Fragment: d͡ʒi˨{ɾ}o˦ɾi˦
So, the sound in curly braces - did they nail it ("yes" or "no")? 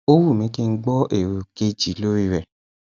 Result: no